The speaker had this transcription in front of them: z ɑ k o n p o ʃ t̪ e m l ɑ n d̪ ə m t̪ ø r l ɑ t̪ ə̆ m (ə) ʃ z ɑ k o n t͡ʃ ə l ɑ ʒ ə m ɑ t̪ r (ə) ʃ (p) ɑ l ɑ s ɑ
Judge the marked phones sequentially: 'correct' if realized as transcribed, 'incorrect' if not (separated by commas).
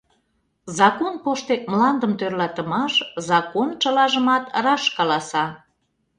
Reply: incorrect, incorrect, incorrect